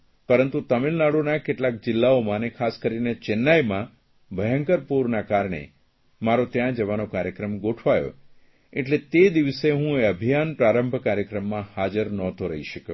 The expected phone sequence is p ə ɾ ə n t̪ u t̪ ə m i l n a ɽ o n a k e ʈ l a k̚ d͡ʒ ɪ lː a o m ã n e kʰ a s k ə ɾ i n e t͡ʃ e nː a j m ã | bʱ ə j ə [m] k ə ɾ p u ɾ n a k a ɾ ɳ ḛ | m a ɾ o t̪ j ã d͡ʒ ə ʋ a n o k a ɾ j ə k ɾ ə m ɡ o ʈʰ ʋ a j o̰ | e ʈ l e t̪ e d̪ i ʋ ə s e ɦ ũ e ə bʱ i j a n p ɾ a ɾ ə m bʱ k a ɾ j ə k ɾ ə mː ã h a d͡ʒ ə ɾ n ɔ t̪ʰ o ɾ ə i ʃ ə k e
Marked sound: incorrect: ŋ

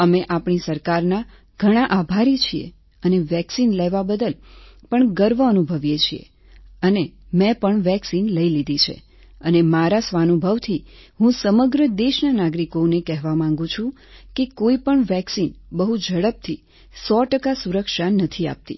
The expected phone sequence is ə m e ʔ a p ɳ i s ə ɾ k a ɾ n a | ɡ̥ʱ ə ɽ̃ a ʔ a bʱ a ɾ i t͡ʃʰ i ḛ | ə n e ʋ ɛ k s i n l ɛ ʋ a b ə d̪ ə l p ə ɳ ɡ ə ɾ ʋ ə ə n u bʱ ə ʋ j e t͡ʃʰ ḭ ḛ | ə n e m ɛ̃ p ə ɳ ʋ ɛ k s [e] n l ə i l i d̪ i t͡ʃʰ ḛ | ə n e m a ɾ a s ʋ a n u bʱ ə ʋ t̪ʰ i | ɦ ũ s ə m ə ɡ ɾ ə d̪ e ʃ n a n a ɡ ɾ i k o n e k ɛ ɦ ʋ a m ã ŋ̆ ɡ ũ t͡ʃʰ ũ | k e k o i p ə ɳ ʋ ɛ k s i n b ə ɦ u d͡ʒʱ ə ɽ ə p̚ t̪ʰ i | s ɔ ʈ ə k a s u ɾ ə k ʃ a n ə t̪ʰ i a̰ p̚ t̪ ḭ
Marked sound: incorrect: i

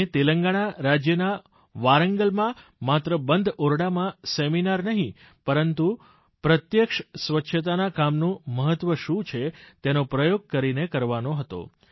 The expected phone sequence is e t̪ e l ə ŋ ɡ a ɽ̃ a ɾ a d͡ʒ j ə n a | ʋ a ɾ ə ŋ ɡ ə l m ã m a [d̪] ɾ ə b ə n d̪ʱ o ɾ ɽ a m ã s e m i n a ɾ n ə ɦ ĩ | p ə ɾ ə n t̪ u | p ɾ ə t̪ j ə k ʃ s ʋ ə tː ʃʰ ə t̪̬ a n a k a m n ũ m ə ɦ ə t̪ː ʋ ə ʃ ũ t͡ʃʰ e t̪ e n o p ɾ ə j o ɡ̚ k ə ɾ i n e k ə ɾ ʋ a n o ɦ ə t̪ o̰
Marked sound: incorrect: t̪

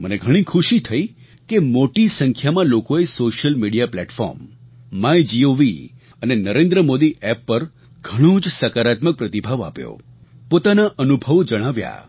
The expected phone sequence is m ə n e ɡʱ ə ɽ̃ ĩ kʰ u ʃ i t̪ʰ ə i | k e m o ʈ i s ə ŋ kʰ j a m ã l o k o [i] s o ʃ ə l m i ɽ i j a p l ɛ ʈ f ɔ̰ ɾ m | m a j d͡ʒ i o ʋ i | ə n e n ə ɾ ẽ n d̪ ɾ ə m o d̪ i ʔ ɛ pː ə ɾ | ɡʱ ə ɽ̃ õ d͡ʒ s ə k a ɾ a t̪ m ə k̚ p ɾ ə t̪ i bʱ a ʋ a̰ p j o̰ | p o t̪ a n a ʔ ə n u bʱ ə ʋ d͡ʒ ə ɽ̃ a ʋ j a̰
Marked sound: incorrect: e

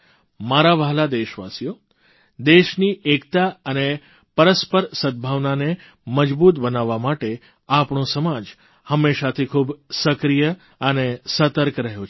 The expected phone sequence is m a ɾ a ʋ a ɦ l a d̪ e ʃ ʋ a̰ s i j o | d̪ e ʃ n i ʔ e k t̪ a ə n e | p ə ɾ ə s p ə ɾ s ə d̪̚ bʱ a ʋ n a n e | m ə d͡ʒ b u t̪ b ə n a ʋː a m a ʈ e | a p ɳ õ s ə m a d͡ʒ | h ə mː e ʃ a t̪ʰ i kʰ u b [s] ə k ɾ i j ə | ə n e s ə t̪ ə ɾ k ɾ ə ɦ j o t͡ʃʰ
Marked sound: correct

